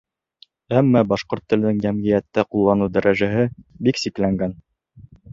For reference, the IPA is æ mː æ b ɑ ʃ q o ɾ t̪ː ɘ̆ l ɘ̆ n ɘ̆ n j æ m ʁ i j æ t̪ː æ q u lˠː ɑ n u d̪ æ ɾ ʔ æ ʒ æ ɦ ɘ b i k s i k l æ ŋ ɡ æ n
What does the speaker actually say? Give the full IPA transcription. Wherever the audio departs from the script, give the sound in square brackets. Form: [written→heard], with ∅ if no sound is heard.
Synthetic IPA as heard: æ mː æ b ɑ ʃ q o ɾ t̪ː ɘ̆ l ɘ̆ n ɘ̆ [n→ŋ] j æ m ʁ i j æ t̪ː æ q u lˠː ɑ n u d̪ æ ɾ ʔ æ ʒ æ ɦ ɘ b i k s i k l æ ŋ ɡ æ n